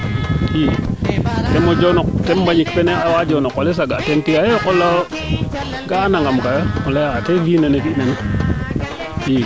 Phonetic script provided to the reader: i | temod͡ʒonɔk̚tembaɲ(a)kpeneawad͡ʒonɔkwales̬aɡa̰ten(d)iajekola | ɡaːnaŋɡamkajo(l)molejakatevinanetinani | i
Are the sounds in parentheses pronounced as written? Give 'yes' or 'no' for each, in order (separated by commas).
no, no, no